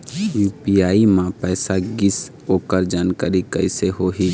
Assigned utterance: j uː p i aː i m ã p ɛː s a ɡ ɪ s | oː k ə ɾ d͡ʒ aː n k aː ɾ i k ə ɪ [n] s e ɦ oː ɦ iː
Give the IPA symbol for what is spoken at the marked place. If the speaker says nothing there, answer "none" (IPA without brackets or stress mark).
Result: none